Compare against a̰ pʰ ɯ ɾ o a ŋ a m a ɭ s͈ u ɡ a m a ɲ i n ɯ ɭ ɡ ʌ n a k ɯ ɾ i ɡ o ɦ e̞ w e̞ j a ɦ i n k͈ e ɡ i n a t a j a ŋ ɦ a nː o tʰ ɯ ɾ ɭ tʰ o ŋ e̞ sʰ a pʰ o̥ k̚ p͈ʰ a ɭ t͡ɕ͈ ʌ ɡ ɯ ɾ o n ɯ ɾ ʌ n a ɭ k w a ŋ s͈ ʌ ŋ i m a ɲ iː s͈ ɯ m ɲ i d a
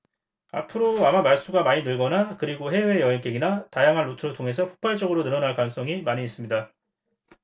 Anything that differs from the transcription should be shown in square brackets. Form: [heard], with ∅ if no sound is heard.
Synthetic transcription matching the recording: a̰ pʰ ɯ ɾ o a [m] a m a ɭ s͈ u ɡ a m a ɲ i n ɯ ɭ ɡ ʌ n a k ɯ ɾ i ɡ o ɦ e̞ w e̞ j [ʌ] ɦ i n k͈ e ɡ i n a t a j a ŋ ɦ a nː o tʰ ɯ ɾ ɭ tʰ o ŋ e̞ sʰ [ʌ] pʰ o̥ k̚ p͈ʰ a ɭ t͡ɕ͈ ʌ ɡ ɯ ɾ o n ɯ ɾ ʌ n a ɭ k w a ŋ s͈ ʌ ŋ i m a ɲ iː s͈ ɯ m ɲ i d a